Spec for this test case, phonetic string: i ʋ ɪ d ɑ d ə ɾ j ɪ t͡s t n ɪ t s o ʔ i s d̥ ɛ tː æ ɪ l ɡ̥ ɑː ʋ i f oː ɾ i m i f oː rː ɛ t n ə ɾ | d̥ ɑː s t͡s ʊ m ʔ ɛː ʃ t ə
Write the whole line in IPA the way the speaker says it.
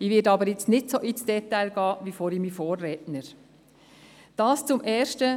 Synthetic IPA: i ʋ ɪ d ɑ b ə ɾ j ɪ t͡s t n ɪ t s o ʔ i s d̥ ɛ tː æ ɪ l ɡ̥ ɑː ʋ i f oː ɾ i m i f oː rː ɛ t n ə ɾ | d̥ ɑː s t͡s ʊ m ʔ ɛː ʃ t ə